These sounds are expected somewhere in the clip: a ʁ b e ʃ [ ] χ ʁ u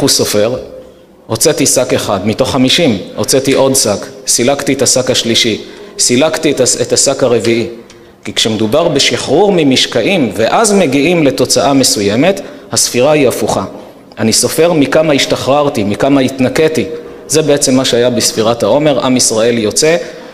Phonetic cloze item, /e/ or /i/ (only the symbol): i